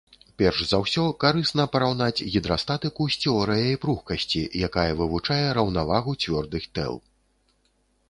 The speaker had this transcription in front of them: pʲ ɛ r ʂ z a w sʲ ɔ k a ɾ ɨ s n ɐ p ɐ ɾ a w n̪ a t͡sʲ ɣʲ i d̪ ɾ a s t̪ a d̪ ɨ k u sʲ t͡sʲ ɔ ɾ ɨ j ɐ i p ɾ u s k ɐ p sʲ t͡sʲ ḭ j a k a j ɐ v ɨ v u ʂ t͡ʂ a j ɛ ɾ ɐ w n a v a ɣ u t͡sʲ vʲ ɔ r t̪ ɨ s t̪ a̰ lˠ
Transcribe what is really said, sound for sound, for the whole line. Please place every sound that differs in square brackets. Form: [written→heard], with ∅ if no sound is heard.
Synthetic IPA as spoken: pʲ ɛ r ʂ z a w sʲ ɔ k a ɾ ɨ s n ɐ p ɐ ɾ a w n̪ a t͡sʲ ɣʲ i d̪ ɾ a s t̪ a [d̪→t̪] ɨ k u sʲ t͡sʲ ɔ ɾ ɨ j ɐ i p ɾ u [s→x] k ɐ [p→∅] sʲ t͡sʲ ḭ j a k a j ɐ v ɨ v u [ʂ→∅] t͡ʂ a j ɛ ɾ ɐ w n a v a ɣ u t͡sʲ vʲ ɔ r [t̪→d̪] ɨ [s→x] t̪ [a̰→ɛ̰] lˠ